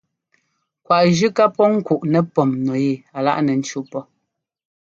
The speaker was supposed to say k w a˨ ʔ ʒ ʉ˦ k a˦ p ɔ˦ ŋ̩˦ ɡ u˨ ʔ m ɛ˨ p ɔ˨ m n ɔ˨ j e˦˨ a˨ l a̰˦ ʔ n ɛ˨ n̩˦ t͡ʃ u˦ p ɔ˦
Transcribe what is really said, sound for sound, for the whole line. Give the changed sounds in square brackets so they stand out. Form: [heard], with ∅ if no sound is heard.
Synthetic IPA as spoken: k w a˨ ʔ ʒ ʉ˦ k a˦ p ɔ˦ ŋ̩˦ [k] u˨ ʔ [n] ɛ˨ p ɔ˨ m n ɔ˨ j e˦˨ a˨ l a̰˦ ʔ n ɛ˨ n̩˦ t͡ʃ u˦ p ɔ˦